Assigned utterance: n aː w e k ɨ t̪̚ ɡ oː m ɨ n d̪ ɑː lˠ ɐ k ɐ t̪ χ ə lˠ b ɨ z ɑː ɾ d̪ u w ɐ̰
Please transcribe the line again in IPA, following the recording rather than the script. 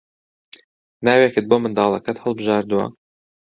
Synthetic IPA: n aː w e k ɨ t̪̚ b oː m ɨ n d̪ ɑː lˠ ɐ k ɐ t̪ h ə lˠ b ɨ ʒ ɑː ɾ d̪ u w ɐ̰